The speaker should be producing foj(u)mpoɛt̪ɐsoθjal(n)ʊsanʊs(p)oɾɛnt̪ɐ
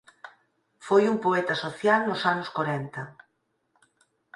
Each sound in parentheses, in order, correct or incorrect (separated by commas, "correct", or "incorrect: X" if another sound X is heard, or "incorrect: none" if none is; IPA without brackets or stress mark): correct, correct, incorrect: k